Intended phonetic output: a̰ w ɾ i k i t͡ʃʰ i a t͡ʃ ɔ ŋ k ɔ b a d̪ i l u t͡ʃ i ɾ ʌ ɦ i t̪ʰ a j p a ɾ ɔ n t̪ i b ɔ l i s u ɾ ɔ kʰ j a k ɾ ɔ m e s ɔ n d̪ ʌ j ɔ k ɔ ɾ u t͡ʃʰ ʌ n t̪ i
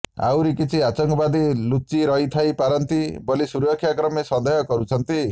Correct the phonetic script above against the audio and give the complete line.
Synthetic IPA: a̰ w ɾ i k i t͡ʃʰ i a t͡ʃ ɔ ŋ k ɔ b a d̪ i l u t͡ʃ i ɾ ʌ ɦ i t̪ʰ a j p a ɾ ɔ n t̪ i b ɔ l i s u ɾ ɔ kʰ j a k ɾ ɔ m e s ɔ n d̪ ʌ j ɔ k ɔ ɾ u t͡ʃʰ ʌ n t̪ i

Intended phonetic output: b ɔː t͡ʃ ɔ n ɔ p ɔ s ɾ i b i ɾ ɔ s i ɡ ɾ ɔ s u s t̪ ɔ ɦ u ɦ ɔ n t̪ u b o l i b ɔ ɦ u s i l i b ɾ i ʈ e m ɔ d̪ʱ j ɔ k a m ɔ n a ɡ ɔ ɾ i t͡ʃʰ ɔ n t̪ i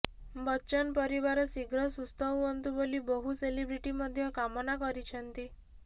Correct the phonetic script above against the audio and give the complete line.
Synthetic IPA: b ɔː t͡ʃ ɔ n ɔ p ɔ ɾ i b a ɾ ɔ s i ɡ ɾ ɔ s u s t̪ ɔ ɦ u ɦ ɔ n t̪ u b o l i b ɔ ɦ u s e l i b ɾ i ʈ i m ɔ d̪ʱ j ɔ k a m ɔ n a k ɔ ɾ i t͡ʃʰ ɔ n t̪ i

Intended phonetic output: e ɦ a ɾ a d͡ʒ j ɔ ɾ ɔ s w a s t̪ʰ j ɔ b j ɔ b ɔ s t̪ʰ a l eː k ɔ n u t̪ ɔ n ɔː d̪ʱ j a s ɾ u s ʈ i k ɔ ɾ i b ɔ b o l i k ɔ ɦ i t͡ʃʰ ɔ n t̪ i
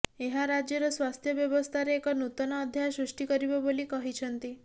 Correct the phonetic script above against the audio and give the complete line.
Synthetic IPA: e ɦ a ɾ a d͡ʒ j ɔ ɾ ɔ s w a s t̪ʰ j ɔ b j ɔ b ɔ s t̪ʰ a ɾ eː k ɔ n u t̪ ɔ n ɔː d̪ʱ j a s ɾ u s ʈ i k ɔ ɾ i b ɔ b o l i k ɔ ɦ i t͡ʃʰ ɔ n t̪ i

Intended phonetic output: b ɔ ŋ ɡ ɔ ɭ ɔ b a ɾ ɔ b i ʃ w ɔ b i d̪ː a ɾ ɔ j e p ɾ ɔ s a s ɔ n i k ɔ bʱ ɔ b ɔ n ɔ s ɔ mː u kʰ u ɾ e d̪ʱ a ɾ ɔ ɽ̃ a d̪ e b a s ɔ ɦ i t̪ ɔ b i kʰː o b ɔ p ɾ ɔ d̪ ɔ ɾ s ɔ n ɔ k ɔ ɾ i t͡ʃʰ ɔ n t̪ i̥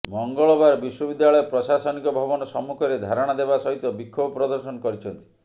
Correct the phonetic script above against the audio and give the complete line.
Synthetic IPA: m ɔ ŋ ɡ ɔ ɭ ɔ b a ɾ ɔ b i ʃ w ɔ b i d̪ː a ɭ ɔ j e p ɾ ɔ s a s ɔ n i k ɔ bʱ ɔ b ɔ n ɔ s ɔ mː u kʰ ɔ ɾ e d̪ʱ a ɾ ɔ ɽ̃ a d̪ e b a s ɔ ɦ i t̪ ɔ b i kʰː o b ɔ p ɾ ɔ d̪ ɔ ɾ s ɔ n ɔ k ɔ ɾ i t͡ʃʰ ɔ n t̪ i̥

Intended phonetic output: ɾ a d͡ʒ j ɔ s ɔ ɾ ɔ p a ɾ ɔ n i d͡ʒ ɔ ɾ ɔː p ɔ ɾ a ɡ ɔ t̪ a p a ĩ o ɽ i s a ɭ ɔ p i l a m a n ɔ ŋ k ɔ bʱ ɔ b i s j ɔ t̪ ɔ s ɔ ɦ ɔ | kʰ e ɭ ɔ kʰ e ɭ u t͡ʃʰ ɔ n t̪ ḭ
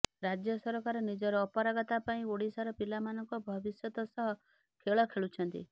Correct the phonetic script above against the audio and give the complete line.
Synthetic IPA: ɾ a d͡ʒ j ɔ s ɔ ɾ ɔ k a ɾ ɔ n i d͡ʒ ɔ ɾ ɔː p ɔ ɾ a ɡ ɔ t̪ a p a ĩ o ɽ i s a ɾ ɔ p i l a m a n ɔ ŋ k ɔ bʱ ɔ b i s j ɔ t̪ ɔ s ɔ ɦ ɔ | kʰ e ɭ ɔ kʰ e ɭ u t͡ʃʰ ɔ n t̪ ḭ

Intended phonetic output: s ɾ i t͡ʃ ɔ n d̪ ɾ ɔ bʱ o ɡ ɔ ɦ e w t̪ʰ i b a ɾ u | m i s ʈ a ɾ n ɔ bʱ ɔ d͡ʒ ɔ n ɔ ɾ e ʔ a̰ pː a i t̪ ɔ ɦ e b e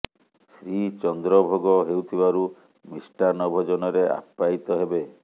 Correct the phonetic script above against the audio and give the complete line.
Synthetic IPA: s ɾ i t͡ʃ ɔ n d̪ ɾ ɔ bʱ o ɡ ɔ ɦ e w t̪ʰ i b a ɾ u | m i s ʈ a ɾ n ɔ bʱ ɔ d͡ʒ ɔ n ɔ ɾ e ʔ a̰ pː a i t̪ ɔ ɦ e b e

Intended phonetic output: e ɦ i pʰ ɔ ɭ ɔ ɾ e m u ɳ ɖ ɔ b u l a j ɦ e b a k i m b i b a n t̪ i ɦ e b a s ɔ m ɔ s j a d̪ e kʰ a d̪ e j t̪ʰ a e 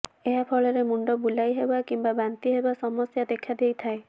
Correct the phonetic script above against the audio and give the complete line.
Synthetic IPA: e ɦ a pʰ ɔ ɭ ɔ ɾ e m u ɳ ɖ ɔ b u l a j ɦ e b a k i m b a b a n t̪ i ɦ e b a s ɔ m ɔ s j a d̪ e kʰ a d̪ e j t̪ʰ a e

